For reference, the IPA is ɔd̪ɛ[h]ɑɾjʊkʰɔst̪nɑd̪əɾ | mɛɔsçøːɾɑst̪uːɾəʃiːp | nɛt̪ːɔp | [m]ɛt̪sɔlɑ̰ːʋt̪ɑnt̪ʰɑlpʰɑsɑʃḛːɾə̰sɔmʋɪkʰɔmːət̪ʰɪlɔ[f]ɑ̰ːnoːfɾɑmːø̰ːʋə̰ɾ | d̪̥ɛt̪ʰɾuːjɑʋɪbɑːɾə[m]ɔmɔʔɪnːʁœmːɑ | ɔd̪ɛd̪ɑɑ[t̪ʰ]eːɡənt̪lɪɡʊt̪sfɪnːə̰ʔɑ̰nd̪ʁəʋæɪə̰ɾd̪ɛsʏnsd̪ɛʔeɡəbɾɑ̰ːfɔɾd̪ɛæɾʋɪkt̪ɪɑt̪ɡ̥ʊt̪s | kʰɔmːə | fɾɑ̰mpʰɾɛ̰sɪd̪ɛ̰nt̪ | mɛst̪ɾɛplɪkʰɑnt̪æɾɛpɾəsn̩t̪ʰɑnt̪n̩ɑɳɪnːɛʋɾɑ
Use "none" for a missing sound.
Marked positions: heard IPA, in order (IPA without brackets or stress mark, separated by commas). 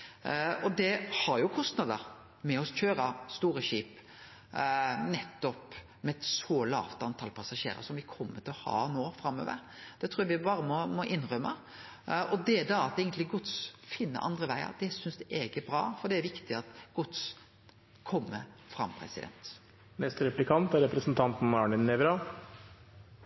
h, m, h, m, t̪